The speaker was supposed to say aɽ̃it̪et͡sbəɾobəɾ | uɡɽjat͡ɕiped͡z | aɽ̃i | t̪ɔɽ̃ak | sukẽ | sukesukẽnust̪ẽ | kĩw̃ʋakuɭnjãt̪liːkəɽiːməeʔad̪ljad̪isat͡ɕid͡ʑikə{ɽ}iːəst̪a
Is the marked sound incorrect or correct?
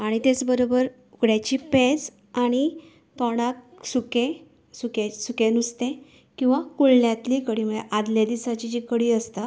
correct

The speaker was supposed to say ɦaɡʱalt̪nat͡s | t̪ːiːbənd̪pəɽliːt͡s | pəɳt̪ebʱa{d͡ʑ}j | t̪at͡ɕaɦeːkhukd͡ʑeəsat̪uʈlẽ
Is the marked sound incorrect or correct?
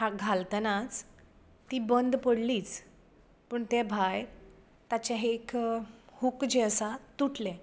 incorrect: none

